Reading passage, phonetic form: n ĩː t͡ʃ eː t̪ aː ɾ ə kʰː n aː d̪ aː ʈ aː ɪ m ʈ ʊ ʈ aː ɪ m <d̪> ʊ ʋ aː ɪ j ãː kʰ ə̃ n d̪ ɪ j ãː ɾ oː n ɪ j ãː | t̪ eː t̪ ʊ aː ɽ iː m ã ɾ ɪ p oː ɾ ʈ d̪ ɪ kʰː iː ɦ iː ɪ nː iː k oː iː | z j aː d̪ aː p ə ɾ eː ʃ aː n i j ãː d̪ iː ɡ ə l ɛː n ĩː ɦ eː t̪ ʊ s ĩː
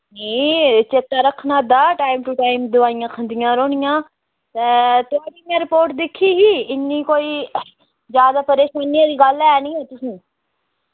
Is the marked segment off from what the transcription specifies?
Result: no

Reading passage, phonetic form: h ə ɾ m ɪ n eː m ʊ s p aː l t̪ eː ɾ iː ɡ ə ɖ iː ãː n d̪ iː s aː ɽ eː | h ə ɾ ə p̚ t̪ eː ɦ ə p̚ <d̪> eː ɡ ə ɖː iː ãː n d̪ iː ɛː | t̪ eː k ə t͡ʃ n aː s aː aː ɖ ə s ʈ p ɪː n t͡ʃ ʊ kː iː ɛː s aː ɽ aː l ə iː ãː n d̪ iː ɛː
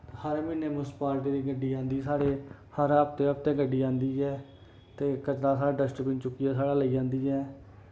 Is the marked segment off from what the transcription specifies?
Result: yes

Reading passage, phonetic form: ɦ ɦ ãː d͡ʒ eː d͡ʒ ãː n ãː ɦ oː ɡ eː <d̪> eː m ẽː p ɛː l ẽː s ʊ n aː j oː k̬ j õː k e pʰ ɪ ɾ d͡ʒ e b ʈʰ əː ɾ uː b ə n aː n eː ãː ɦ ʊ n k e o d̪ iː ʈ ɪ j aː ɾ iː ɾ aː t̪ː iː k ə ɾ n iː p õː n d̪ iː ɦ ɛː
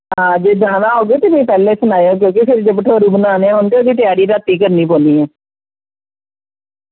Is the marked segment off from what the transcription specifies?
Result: yes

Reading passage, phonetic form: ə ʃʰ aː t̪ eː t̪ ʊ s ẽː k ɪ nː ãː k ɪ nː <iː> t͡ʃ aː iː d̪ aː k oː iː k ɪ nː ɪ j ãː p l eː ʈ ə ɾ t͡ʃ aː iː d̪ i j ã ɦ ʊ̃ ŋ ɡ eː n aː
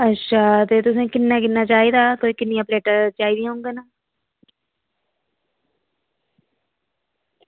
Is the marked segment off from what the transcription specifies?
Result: yes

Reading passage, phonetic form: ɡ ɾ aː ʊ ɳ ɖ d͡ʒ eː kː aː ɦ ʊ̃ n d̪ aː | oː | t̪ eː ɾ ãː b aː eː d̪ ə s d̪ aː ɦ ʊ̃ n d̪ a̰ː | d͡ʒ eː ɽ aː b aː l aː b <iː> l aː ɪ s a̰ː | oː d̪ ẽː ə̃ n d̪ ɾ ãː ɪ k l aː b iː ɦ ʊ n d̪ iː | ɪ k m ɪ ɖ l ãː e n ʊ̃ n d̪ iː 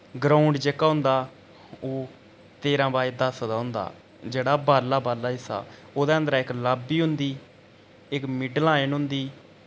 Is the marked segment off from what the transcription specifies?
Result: yes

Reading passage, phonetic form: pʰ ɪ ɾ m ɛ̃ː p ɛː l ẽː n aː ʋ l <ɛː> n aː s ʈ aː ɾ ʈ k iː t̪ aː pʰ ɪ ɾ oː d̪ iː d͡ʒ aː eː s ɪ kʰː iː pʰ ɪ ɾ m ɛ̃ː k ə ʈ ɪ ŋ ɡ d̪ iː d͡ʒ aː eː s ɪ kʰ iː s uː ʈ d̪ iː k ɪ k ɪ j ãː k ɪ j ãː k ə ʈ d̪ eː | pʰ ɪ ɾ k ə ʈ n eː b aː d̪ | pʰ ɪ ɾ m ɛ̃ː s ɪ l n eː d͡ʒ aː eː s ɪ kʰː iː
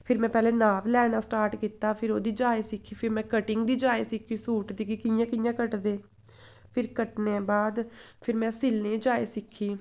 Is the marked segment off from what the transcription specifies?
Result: no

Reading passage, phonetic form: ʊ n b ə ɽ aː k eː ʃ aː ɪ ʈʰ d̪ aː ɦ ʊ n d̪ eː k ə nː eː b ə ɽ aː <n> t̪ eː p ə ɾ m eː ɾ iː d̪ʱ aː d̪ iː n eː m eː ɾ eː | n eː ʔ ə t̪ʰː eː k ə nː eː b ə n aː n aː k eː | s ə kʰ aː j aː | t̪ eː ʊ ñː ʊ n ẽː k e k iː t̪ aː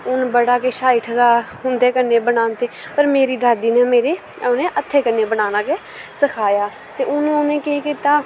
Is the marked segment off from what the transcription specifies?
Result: no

